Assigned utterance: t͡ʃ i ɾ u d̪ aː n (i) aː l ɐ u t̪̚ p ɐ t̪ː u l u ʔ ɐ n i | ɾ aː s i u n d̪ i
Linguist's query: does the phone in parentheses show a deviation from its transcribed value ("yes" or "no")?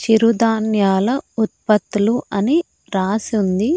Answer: yes